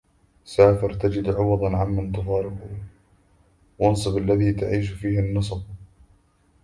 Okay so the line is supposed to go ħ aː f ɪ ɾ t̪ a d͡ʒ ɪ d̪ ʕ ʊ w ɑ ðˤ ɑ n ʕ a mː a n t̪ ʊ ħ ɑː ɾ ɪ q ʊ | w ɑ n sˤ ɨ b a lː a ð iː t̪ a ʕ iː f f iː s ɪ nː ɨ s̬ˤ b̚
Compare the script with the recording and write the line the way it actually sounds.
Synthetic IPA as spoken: s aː f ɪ ɾ t̪ a d͡ʒ ɪ d̪ ʕ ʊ w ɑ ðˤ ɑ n ʕ a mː a n t̪ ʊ f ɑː ɾ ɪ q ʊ | w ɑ n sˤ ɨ b a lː a ð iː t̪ a ʕ iː ʃ f iː h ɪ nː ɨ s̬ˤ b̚